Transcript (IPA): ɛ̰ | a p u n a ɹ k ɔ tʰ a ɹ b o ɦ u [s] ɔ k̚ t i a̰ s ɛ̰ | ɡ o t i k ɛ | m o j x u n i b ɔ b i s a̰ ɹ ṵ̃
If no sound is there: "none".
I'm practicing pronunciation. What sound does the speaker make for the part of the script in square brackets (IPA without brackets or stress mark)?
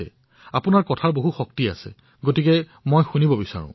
x